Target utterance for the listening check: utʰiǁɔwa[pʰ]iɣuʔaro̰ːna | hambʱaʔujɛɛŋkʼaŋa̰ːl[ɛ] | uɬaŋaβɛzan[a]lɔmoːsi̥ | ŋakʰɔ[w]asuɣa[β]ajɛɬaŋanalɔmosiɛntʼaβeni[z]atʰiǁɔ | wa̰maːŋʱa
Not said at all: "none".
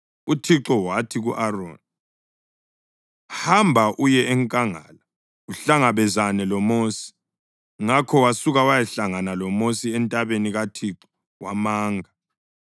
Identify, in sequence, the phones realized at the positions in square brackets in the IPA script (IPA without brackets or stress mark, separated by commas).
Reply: tʰ, a, ɛ, w, w, ɣ